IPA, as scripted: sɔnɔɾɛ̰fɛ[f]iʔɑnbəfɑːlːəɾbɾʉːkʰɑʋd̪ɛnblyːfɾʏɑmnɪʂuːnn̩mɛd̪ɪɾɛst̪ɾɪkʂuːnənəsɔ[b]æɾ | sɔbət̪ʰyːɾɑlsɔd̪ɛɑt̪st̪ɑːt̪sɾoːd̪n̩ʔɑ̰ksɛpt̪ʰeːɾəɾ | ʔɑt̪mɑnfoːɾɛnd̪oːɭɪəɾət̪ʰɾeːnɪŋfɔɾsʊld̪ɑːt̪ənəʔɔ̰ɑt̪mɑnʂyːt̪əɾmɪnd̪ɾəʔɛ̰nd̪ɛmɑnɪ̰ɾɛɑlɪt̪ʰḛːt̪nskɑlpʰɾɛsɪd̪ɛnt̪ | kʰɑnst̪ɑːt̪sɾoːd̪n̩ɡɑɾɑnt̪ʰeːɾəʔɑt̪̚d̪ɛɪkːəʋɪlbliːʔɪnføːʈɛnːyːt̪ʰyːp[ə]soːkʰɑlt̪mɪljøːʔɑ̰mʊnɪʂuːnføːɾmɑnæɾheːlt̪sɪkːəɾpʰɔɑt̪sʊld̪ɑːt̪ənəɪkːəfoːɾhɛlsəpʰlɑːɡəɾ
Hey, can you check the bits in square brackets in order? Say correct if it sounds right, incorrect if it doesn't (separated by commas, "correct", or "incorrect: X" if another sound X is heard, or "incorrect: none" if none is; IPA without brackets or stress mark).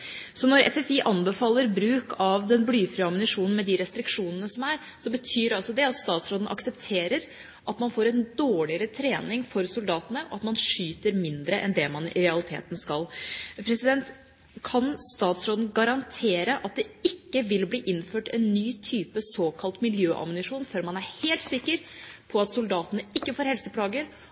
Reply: correct, incorrect: m, correct